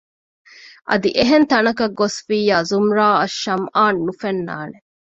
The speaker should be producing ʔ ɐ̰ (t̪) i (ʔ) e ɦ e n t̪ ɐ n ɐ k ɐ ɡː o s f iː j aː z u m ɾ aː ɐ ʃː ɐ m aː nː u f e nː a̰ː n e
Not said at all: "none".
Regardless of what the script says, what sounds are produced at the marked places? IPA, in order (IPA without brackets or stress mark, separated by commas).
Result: d̪, ʔ